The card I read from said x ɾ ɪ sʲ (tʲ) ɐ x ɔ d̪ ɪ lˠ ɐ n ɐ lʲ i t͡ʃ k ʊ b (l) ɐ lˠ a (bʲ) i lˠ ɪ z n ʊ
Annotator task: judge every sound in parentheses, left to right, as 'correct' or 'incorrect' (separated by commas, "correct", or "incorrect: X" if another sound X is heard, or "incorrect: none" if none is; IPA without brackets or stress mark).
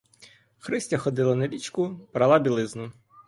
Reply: correct, incorrect: ɾ, correct